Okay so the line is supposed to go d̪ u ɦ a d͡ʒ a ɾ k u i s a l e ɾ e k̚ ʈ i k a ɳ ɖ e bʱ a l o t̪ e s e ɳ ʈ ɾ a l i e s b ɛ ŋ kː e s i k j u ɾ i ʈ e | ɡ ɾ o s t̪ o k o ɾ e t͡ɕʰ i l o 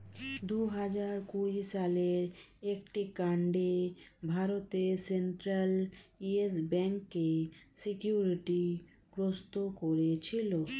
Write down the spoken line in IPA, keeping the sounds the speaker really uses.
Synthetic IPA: d̪ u ɦ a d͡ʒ a ɾ k u i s a l e ɾ e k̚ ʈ i k a ɳ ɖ e bʱ a ɾ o t̪ e s e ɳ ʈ ɾ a l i e s b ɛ ŋ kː e s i k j u ɾ i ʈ i | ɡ ɾ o s t̪ o k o ɾ e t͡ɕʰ i l o